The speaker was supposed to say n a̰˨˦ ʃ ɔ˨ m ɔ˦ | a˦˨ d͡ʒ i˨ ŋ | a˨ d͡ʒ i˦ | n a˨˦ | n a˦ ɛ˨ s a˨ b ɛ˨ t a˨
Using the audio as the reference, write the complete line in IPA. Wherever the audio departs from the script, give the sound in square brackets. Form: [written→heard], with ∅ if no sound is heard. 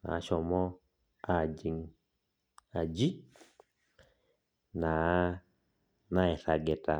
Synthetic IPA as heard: n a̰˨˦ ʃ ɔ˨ m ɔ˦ | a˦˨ d͡ʒ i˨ ŋ | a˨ d͡ʒ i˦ | n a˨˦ | n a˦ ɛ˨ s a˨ [b→ɡ] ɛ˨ t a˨